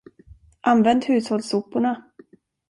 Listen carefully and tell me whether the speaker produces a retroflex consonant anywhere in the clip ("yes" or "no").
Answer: yes